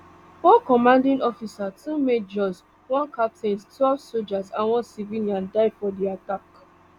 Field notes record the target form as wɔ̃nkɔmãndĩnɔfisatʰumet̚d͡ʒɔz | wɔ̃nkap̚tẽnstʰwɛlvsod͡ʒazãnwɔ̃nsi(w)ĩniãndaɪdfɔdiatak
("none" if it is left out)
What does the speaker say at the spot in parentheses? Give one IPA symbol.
v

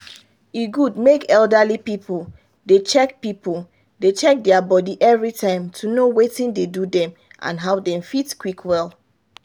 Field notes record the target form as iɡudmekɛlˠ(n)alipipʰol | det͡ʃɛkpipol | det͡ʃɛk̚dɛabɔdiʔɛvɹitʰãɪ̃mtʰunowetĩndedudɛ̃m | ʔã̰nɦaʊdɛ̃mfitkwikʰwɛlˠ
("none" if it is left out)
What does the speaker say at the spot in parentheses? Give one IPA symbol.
d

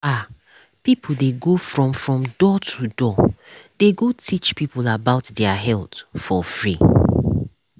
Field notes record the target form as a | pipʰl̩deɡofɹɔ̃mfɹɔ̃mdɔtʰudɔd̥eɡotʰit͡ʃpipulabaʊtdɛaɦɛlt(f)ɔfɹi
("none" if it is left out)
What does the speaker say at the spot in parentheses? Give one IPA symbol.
f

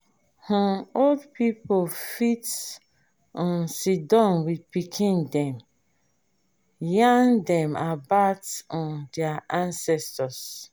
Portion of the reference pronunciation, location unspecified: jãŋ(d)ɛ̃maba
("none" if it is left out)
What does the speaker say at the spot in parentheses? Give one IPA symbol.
d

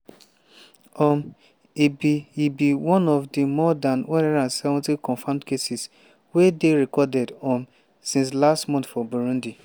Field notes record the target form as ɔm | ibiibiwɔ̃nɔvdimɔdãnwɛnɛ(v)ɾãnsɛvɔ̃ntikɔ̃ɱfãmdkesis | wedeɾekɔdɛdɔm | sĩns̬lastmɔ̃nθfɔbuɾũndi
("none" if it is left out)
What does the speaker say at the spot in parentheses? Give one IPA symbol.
none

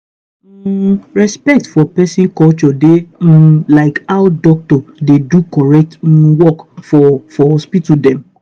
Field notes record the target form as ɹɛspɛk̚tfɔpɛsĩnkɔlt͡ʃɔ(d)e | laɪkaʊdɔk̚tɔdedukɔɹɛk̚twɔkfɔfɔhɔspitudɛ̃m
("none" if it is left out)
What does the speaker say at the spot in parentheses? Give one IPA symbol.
d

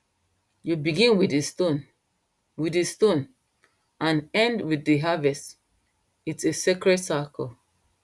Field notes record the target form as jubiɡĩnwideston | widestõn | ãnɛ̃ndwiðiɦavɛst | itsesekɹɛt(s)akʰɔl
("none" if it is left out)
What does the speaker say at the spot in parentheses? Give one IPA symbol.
s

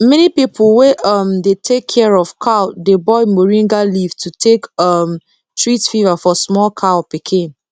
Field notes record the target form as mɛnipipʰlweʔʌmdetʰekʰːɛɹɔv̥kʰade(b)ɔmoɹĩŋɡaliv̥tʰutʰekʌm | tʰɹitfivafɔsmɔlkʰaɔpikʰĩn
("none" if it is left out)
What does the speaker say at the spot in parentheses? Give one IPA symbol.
b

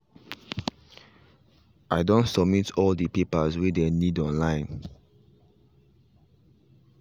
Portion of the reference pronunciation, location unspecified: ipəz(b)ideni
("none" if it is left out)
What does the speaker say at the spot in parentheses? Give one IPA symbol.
w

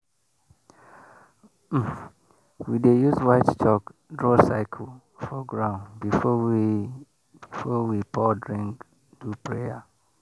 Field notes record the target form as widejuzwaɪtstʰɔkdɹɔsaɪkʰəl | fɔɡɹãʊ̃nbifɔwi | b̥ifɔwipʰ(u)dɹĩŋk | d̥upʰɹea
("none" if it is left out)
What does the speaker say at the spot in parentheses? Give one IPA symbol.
ɔ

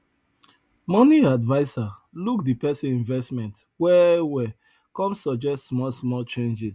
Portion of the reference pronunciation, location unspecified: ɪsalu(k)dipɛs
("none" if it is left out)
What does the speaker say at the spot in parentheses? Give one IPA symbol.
k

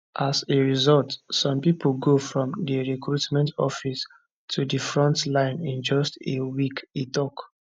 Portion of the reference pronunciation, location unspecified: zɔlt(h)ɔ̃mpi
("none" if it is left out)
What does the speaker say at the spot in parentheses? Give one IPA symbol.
s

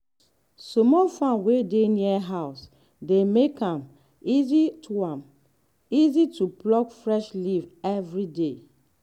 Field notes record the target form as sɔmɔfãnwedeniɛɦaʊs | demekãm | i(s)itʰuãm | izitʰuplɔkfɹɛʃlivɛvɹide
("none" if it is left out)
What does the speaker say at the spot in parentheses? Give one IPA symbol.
z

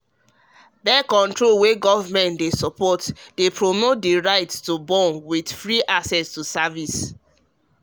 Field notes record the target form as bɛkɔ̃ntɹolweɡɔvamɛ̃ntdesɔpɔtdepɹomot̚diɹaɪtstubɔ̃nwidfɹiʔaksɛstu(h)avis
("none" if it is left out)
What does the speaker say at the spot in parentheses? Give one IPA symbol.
s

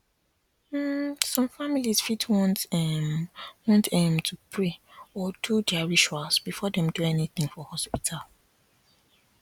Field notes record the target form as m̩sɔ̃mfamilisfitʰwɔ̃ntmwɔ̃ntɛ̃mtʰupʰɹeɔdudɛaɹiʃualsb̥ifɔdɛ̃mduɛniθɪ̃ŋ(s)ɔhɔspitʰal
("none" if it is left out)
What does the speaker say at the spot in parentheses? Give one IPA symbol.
f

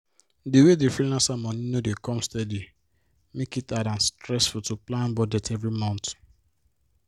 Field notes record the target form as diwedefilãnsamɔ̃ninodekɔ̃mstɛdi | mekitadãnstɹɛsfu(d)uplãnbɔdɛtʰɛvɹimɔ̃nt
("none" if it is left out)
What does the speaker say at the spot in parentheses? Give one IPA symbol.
t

